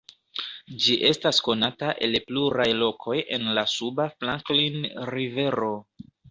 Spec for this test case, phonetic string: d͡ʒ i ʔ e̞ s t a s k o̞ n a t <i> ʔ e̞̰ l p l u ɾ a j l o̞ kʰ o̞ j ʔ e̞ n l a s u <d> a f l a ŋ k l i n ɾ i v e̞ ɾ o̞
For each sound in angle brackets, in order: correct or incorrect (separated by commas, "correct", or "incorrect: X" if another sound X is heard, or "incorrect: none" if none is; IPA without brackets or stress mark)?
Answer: incorrect: a, incorrect: b